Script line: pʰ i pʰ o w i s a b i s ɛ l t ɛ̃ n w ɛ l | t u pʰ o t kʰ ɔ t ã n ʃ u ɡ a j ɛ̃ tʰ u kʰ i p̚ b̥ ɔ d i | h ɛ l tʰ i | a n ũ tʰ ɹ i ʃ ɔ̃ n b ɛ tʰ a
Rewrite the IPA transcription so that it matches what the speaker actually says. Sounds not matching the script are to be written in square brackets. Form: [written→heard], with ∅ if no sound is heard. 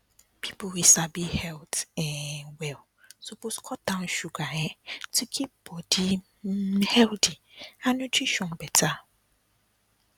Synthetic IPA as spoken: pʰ i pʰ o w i s a b i [s→h] ɛ l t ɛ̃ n w ɛ l | [t→s] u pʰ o [t→s] kʰ ɔ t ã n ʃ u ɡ a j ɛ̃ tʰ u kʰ i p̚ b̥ ɔ d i | h ɛ l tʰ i | a n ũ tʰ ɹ i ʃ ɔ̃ n b ɛ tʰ a